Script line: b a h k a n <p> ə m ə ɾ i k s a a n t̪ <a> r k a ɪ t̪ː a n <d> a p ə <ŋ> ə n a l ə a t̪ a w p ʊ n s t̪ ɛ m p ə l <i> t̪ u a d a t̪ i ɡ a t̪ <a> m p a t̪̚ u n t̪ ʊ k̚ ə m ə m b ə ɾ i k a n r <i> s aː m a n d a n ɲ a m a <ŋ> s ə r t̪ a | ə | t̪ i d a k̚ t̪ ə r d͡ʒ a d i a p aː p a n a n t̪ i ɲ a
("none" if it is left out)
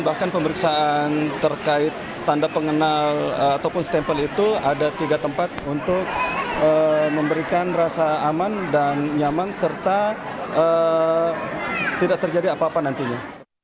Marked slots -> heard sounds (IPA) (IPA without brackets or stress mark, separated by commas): p, ə, d, ŋ, i, ə, a, n